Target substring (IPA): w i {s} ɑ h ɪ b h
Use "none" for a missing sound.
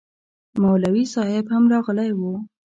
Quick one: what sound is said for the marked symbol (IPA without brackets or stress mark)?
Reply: s